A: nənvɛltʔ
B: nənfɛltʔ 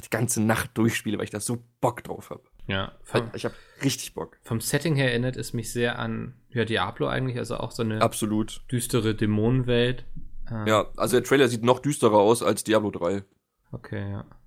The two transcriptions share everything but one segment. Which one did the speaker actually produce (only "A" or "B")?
A